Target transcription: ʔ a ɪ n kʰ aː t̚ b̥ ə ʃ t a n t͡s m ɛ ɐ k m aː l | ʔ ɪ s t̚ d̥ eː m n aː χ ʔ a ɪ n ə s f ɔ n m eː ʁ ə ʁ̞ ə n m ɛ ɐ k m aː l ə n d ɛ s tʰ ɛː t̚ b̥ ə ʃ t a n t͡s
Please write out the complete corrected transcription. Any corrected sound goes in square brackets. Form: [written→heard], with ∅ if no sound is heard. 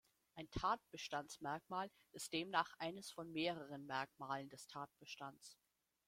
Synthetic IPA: ʔ a ɪ n [kʰ→tʰ] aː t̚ b̥ ə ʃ t a n t͡s m ɛ ɐ k m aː l | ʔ ɪ s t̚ d̥ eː m n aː χ ʔ a ɪ n ə s f ɔ n m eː ʁ ə ʁ̞ ə n m ɛ ɐ k m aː l ə n d ɛ s tʰ [ɛː→aː] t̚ b̥ ə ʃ t a n t͡s